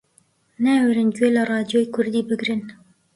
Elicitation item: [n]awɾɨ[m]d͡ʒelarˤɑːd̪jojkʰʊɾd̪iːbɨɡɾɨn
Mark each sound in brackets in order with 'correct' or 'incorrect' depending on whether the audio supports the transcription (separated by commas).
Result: correct, incorrect